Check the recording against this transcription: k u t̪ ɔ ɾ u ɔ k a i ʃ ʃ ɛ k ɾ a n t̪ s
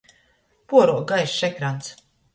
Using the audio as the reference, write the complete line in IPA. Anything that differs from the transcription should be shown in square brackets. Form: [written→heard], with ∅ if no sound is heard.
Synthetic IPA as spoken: [k→p] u [t̪→∅] ɔ ɾ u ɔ [k→ɡ] a [i→j] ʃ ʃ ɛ k ɾ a n t̪ s

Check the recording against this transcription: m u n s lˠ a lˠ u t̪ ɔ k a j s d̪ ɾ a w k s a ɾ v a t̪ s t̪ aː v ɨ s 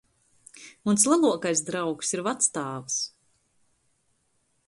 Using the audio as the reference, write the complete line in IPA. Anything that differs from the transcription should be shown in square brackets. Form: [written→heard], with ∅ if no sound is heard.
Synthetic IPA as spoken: m u n s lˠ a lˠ u [t̪→∅] ɔ k a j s d̪ ɾ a w k s [a→i] ɾ v a t̪ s t̪ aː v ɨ s

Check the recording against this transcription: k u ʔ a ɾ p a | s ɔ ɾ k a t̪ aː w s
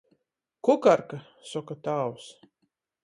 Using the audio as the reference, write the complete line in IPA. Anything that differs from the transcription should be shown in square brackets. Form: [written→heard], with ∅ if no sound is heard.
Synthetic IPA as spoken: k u [ʔ→k] a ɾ [p→k] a | s ɔ [ɾ→∅] k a t̪ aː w s

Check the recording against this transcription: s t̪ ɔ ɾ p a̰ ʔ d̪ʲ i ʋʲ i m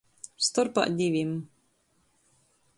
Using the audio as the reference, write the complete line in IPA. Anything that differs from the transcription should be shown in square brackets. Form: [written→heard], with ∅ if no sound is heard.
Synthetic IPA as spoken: s t̪ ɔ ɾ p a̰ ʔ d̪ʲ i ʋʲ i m

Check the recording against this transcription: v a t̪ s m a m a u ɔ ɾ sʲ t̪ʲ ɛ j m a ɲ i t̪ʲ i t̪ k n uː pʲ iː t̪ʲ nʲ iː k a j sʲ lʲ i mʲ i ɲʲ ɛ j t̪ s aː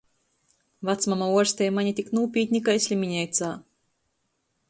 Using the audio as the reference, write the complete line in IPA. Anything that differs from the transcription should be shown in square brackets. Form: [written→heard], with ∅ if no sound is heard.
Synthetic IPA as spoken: v a t̪ s m a m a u ɔ ɾ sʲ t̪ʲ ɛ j m a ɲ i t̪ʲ i [t̪→∅] k n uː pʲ iː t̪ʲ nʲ [iː→i] k a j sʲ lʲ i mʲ i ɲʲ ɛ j t̪ s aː

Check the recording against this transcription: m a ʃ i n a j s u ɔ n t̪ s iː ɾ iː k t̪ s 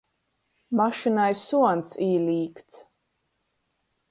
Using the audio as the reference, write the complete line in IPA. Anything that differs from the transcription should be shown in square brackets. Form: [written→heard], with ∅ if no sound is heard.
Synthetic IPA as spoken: m a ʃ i n a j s u ɔ n t̪ s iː [ɾ→l] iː k t̪ s

